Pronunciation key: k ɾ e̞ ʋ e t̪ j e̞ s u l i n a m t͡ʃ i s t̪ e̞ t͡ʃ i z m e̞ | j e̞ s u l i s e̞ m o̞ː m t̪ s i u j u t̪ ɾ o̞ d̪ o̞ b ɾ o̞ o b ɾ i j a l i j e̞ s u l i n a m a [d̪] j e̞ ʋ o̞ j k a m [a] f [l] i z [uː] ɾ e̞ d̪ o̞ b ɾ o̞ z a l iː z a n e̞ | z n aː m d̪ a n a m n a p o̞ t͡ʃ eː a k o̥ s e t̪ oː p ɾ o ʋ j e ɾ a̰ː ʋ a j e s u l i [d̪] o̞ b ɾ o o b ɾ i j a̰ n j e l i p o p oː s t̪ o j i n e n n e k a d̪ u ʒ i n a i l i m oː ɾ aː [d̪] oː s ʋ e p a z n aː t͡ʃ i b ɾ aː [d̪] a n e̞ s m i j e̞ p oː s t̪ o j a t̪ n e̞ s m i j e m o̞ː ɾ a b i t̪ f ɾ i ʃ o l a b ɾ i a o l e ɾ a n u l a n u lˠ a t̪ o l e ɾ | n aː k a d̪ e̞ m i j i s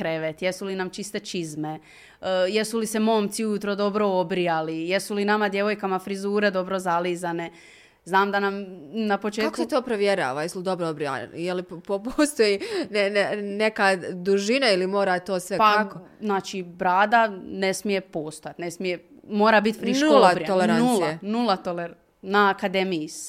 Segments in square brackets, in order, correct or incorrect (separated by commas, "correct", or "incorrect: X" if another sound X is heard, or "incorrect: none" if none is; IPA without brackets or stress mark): correct, correct, incorrect: ɾ, correct, correct, incorrect: t̪, correct